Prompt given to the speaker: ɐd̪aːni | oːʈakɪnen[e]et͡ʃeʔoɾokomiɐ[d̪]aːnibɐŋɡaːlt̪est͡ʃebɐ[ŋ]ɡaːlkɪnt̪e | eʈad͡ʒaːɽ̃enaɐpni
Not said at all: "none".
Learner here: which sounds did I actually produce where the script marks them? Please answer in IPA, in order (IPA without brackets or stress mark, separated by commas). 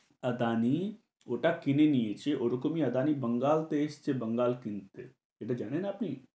i, d̪, ŋ